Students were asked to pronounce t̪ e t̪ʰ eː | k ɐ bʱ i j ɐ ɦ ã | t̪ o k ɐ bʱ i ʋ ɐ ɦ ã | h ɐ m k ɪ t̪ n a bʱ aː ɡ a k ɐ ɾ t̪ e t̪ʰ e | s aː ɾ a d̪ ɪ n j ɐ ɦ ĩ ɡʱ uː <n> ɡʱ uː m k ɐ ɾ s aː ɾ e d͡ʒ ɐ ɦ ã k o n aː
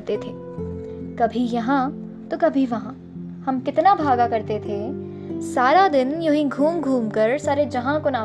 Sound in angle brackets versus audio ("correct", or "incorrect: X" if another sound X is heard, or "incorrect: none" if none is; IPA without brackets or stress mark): incorrect: m